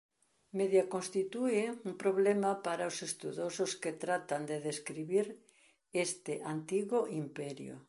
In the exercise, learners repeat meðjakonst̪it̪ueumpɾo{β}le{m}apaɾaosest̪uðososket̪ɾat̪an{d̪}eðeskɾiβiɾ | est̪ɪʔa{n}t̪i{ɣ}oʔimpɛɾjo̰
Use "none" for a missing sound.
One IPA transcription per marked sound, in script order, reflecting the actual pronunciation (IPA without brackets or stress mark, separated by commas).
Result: β, m, d̪, n, ɣ